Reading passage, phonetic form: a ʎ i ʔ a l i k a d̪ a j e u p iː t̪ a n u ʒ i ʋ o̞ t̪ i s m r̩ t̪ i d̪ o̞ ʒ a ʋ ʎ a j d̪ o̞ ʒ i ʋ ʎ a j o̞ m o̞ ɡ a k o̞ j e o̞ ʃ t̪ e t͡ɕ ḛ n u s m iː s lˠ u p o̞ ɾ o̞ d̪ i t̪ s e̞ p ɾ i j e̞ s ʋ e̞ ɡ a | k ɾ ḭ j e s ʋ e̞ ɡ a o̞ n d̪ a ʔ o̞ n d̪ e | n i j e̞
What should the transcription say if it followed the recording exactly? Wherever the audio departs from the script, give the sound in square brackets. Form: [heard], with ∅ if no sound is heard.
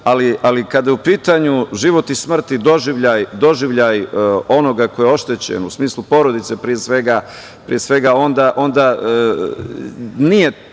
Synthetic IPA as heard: a [l] i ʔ a l i k a d̪ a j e u p iː t̪ a [ɲ] u ʒ i ʋ o̞ t̪ i s m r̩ t̪ i d̪ o̞ ʒ [i] ʋ ʎ a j d̪ o̞ ʒ i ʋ ʎ a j o̞ [n] o̞ ɡ a k o̞ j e o̞ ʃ t̪ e t͡ɕ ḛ n u s m iː s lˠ u p o̞ ɾ o̞ d̪ i t̪ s e̞ p ɾ i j e̞ s ʋ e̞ ɡ a | [p] ɾ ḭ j e s ʋ e̞ ɡ a o̞ n d̪ a ʔ o̞ n d̪ [a] | n i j e̞

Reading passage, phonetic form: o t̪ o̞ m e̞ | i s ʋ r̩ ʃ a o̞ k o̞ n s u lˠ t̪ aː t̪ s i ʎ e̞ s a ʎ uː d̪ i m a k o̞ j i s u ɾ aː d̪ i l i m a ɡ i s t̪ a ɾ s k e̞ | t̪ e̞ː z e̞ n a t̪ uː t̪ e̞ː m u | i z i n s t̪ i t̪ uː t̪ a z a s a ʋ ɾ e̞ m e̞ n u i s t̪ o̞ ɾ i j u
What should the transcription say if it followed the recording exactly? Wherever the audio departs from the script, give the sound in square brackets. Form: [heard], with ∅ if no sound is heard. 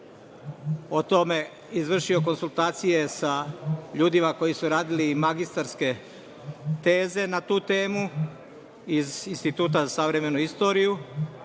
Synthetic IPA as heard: o t̪ o̞ m e̞ | i [z] ʋ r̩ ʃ [i] o̞ k o̞ n s u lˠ t̪ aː t̪ s i [j] e̞ s a ʎ uː d̪ i m a k o̞ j i s u ɾ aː d̪ i l i m a ɡ i s t̪ a ɾ s k e̞ | t̪ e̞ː z e̞ n a t̪ uː t̪ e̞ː m u | i z i n s t̪ i t̪ uː t̪ a z a s a ʋ ɾ e̞ m e̞ n u i s t̪ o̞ ɾ i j u

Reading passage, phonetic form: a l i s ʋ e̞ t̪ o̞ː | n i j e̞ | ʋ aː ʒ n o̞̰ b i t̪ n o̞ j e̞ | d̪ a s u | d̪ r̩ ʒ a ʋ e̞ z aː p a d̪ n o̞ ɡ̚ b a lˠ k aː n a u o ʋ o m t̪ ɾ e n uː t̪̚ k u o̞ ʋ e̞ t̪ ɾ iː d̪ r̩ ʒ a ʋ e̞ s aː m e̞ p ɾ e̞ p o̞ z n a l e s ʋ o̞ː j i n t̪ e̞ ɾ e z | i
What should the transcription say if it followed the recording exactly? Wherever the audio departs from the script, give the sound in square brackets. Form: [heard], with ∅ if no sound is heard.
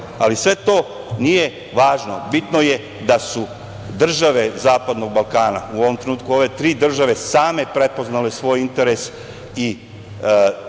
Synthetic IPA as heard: a l i s ʋ e̞ t̪ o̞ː | n i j e̞ | ʋ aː ʒ n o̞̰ b i t̪ n o̞ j e̞ | d̪ a s u | d̪ r̩ ʒ a ʋ e̞ z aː p a d̪ n o̞ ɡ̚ b a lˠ k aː n a u o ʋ o m t̪ ɾ e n uː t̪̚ k u o̞ ʋ e̞ t̪ ɾ iː d̪ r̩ ʒ a ʋ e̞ s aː m e̞ p ɾ e̞ p o̞ z n a l e s ʋ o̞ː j i n t̪ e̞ ɾ e [s] | i

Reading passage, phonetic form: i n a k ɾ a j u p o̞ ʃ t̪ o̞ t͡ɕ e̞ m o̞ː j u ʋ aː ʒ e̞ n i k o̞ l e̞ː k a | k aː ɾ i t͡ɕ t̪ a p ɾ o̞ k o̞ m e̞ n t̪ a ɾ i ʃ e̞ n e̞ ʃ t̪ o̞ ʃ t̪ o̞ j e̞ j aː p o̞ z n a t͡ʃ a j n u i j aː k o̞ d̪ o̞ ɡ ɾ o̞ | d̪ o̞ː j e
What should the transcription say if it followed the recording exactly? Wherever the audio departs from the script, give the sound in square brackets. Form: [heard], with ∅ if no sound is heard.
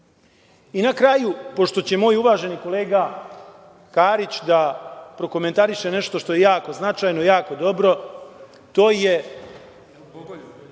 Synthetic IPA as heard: i n a k ɾ a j u p o̞ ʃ t̪ o̞ t͡ɕ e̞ m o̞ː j u ʋ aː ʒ e̞ n i k o̞ l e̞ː [ɡ] a | k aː ɾ i t͡ɕ [d̪] a p ɾ o̞ k o̞ m e̞ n t̪ a ɾ i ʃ e̞ n e̞ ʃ t̪ o̞ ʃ t̪ o̞ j e̞ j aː [k] o̞ z n a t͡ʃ a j n [o] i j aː k o̞ d̪ o̞ [b] ɾ o̞ | [t̪] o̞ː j e

